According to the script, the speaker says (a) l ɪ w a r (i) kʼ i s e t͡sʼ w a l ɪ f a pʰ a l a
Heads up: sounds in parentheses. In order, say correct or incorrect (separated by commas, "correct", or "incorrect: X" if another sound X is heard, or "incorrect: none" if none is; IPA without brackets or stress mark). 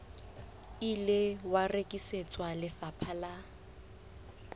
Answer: incorrect: i, incorrect: e